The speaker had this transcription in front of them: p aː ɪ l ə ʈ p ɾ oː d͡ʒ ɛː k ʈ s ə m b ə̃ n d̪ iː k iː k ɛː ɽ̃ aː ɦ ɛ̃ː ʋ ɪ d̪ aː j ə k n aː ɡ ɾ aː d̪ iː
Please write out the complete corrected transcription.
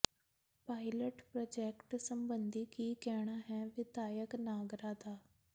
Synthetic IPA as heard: p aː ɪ l ə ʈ p ɾ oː d͡ʒ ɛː k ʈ s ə m b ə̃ n d̪ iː k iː k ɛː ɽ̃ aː ɦ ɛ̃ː ʋ ɪ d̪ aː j ə k n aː ɡ ɾ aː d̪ aː